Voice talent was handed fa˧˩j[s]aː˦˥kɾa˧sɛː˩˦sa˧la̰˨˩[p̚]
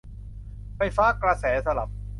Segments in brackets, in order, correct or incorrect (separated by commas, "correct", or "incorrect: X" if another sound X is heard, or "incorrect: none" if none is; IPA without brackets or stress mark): incorrect: f, correct